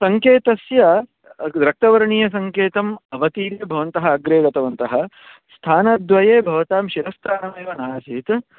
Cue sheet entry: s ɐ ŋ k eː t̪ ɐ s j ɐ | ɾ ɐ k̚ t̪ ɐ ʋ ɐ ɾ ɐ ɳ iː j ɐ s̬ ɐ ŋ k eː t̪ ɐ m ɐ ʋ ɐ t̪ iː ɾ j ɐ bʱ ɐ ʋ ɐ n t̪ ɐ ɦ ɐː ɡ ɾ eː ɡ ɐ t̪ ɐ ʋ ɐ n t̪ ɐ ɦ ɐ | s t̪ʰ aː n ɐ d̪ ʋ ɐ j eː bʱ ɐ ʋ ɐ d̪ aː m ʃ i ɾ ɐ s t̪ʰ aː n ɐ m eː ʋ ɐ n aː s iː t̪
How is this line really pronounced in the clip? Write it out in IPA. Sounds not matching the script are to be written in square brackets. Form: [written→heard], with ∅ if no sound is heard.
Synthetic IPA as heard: s ɐ ŋ k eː t̪ ɐ s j ɐ | ɾ ɐ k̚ t̪ ɐ ʋ ɐ ɾ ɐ ɳ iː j ɐ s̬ ɐ ŋ k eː t̪ ɐ m ɐ ʋ ɐ t̪ iː ɾ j ɐ bʱ ɐ ʋ ɐ n t̪ ɐ ɦ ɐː ɡ ɾ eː ɡ ɐ t̪ ɐ ʋ ɐ n t̪ ɐ ɦ ɐ | s t̪ʰ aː n ɐ d̪ ʋ ɐ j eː bʱ ɐ ʋ ɐ [d̪→t̪] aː m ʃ i ɾ ɐ s t̪ʰ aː n ɐ m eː ʋ ɐ n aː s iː t̪